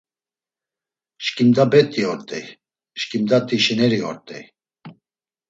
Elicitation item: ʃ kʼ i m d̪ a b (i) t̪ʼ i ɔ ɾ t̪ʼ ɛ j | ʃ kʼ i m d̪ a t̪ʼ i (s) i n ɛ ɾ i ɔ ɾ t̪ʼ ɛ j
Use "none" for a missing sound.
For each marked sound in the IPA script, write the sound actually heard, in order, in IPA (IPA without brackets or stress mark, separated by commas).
ɛ, ʃ